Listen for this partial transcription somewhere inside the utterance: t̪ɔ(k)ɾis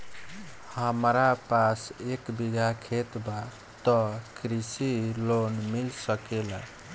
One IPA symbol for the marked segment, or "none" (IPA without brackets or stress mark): k